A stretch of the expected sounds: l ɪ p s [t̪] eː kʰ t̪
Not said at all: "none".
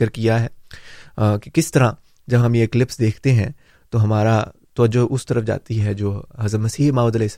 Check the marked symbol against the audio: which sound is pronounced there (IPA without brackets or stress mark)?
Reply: d̪